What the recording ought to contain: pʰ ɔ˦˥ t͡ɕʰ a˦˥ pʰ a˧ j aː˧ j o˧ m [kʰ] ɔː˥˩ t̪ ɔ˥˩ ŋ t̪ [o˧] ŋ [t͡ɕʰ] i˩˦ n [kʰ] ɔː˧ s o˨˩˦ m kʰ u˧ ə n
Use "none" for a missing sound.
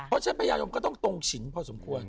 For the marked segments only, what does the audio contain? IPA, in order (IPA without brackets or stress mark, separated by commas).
k, o˧, t͡ɕʰ, pʰ